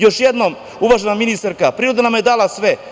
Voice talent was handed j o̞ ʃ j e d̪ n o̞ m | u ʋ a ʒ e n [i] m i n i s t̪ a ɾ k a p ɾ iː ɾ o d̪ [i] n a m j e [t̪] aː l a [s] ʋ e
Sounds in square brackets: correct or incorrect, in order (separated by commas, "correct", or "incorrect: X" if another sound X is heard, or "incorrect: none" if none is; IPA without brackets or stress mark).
incorrect: a, incorrect: a, incorrect: d̪, correct